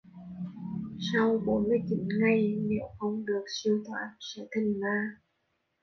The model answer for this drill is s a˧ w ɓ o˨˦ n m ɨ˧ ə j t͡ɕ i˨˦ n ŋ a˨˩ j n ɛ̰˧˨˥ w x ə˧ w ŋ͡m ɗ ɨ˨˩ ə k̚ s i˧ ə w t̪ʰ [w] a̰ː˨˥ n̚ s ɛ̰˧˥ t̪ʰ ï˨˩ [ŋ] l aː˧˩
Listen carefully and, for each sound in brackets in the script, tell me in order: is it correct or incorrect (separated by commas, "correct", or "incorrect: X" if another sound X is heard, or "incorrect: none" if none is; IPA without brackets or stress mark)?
correct, correct